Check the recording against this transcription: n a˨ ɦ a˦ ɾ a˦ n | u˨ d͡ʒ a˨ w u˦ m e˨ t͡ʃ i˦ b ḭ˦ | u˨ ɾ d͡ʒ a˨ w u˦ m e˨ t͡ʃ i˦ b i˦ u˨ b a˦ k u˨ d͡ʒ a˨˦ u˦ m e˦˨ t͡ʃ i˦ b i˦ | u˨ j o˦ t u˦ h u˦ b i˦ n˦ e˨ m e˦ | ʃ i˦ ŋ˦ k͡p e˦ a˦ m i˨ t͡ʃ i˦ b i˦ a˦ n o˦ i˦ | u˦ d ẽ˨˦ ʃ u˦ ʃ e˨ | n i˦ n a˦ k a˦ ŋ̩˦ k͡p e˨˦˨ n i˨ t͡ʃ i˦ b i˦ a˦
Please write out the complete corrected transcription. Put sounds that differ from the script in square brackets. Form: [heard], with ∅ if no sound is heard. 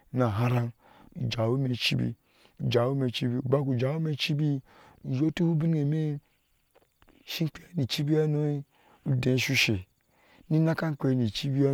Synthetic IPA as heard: n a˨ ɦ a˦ ɾ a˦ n | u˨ d͡ʒ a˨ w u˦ m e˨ t͡ʃ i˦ b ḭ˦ | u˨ [∅] d͡ʒ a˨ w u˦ m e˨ t͡ʃ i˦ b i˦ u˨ b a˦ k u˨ d͡ʒ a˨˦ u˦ m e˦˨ t͡ʃ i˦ b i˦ | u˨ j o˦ t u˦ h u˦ b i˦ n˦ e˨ m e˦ | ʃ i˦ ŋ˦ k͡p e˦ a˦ [n] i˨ t͡ʃ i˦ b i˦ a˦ n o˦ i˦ | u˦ d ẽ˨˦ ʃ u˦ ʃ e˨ | n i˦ n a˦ k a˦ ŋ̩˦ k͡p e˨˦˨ n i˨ t͡ʃ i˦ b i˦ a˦